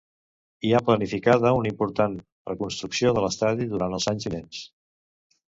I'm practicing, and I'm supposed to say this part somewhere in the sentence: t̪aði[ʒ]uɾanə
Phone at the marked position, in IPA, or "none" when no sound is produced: ð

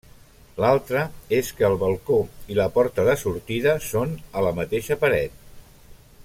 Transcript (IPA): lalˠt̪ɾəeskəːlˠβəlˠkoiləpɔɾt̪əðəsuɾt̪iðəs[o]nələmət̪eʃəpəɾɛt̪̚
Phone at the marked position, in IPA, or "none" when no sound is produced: o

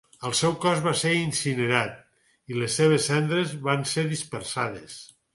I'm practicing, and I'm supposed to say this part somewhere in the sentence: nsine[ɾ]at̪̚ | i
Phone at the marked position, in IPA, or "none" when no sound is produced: ɾ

